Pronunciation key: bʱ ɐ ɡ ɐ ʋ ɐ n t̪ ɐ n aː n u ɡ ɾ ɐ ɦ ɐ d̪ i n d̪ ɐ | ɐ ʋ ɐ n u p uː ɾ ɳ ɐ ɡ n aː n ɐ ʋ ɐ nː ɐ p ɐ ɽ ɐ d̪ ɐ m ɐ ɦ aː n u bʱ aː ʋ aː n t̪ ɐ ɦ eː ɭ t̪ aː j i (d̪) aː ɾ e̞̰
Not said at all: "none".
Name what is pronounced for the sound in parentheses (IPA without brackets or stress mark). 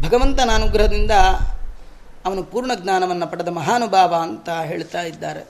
d̪ː